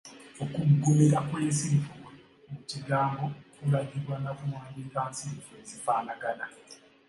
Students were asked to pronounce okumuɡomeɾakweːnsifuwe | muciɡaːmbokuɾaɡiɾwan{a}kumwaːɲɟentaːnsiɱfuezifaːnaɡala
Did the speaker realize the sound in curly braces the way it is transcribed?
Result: yes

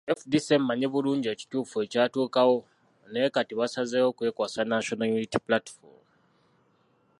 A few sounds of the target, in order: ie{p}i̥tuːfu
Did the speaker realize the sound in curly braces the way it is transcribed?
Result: no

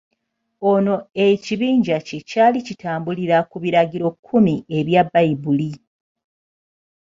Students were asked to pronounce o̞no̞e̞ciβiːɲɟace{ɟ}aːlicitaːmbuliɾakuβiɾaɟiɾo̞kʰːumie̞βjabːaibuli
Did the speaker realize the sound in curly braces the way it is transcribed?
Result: no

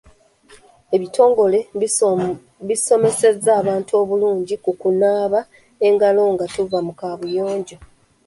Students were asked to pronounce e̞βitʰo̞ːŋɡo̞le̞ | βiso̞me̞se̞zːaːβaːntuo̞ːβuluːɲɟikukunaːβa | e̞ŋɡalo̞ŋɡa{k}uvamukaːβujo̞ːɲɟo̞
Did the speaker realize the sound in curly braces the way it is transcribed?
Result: no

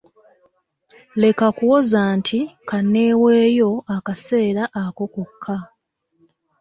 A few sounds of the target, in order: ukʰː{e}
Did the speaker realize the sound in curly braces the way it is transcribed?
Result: no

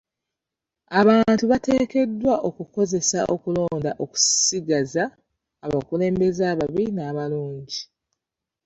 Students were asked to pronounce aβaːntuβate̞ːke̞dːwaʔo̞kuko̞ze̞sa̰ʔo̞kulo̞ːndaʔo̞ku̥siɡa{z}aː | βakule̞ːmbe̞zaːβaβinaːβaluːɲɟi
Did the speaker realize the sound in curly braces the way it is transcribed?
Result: yes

